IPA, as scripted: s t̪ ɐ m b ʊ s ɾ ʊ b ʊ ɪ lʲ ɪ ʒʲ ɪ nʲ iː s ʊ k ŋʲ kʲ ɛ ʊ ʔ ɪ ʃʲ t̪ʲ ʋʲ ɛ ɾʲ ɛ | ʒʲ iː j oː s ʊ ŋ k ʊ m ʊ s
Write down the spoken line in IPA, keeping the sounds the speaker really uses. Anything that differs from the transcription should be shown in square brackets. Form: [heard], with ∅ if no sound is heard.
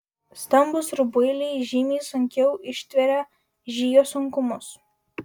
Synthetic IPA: s t̪ ɐ m b ʊ s ɾ ʊ b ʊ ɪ lʲ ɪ ʒʲ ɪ [mʲ] iː s ʊ [∅] ŋʲ kʲ ɛ ʊ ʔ ɪ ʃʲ t̪ʲ ʋʲ ɛ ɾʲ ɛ | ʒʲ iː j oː s ʊ ŋ k ʊ m ʊ s